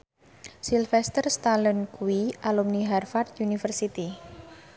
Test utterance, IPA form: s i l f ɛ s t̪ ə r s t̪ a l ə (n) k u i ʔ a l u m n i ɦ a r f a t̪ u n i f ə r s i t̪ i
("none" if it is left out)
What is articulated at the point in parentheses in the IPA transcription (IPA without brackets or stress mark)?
n